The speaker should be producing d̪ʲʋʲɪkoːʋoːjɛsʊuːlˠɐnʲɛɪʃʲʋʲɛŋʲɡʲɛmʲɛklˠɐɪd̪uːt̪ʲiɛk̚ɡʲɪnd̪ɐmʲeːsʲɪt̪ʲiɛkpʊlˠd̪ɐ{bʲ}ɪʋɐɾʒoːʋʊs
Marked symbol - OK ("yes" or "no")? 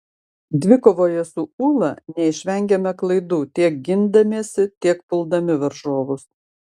no